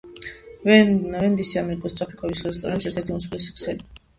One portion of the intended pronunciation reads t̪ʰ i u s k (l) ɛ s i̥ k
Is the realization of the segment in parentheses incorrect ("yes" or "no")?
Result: no